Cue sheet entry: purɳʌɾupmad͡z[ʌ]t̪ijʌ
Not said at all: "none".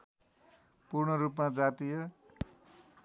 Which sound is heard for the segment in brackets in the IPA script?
a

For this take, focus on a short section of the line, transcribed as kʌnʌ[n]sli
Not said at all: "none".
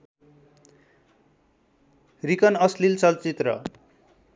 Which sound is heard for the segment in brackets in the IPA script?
none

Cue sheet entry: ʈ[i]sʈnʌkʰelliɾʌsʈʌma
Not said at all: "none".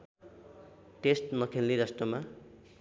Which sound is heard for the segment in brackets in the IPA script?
e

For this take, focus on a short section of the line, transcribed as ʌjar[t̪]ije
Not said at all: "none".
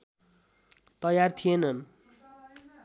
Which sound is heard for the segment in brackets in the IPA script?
t̪ʰ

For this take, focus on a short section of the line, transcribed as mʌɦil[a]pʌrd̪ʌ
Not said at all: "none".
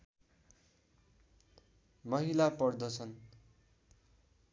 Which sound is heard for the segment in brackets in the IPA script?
a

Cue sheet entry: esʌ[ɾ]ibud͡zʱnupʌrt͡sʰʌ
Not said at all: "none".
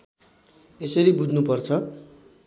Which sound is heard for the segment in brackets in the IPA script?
ɾ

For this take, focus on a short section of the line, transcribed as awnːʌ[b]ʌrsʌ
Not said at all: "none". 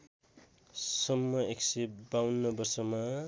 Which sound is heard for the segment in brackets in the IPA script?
b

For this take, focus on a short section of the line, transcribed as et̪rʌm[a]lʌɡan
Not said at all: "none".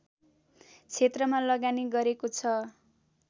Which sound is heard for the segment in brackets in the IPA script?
a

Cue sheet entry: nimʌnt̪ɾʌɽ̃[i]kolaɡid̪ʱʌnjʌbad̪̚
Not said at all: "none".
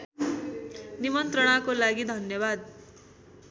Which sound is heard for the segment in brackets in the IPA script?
a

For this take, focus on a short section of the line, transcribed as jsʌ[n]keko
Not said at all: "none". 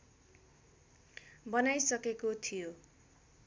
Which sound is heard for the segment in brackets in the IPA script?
none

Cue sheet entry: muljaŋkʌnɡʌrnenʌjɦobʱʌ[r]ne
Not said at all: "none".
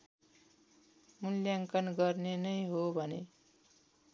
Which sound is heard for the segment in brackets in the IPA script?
none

